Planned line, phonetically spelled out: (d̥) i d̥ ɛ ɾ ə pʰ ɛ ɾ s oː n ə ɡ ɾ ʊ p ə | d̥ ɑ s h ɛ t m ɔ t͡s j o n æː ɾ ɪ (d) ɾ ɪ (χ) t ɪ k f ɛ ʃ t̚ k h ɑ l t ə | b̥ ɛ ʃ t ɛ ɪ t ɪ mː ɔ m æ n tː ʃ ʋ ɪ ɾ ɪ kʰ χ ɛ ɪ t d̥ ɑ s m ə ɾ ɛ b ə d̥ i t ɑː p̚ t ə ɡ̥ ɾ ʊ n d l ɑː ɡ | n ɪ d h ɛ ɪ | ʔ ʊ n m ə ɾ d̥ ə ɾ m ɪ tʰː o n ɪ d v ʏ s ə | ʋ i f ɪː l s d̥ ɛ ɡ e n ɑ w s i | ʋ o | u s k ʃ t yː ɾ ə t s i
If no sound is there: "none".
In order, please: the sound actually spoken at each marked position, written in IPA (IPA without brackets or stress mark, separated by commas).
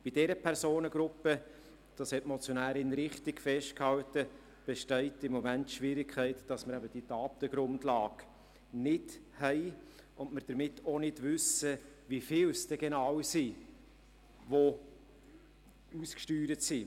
b̥, n, χ